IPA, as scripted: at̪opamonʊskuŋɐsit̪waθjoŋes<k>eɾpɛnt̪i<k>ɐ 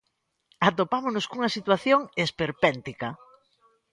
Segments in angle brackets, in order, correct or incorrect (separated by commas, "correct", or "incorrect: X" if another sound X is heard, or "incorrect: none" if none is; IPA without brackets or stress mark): incorrect: p, correct